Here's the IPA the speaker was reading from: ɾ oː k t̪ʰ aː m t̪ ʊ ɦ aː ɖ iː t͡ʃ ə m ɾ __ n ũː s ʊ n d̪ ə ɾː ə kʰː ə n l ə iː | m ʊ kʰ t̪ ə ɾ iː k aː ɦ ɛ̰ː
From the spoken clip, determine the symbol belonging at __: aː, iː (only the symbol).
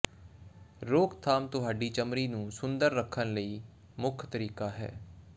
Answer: iː